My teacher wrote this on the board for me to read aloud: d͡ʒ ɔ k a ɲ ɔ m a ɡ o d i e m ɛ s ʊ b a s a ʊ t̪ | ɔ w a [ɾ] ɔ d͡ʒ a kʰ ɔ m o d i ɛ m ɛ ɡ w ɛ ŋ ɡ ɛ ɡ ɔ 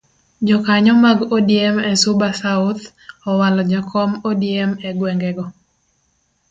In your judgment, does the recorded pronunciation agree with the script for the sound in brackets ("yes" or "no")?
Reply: no